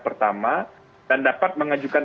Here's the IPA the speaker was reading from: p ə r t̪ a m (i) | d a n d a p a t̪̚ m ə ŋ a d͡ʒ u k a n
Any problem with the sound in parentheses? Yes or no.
yes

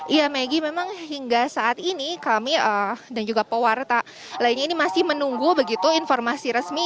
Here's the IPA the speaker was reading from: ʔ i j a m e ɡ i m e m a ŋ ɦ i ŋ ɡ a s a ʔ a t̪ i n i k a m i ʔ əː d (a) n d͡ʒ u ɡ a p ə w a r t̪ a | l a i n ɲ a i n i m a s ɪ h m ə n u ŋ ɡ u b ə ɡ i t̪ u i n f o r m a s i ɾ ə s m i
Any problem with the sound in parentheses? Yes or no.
no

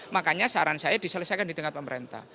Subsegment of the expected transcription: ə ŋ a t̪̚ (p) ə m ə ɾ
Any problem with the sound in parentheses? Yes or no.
no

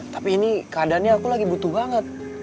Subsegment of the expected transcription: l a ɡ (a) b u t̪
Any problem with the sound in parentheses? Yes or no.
yes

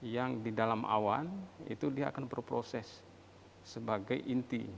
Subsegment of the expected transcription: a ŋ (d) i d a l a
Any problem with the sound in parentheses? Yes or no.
no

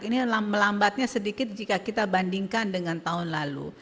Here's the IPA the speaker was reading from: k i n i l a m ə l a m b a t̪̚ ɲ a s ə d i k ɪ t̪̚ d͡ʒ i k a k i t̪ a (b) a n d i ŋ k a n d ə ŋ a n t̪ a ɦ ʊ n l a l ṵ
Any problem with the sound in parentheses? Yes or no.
no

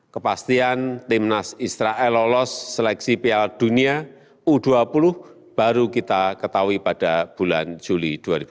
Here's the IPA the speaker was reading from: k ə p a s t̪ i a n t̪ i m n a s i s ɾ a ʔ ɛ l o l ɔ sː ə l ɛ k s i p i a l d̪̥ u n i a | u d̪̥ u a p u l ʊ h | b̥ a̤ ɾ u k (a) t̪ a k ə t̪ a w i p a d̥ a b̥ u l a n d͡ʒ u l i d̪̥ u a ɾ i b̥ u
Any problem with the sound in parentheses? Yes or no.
yes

